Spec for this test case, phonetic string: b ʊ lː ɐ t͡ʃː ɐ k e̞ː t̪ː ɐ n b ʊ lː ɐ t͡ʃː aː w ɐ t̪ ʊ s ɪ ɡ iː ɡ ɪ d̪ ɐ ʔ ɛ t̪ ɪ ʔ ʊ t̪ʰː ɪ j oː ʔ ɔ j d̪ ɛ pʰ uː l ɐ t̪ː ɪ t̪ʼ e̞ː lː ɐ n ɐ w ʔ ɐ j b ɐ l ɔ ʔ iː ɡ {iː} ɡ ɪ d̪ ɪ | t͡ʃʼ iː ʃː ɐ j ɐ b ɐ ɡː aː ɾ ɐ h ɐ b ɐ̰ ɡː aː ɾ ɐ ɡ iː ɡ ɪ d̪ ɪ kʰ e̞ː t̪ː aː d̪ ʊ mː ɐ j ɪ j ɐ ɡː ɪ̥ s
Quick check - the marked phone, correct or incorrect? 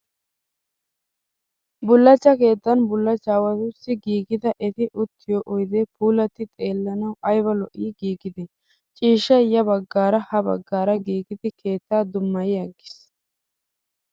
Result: correct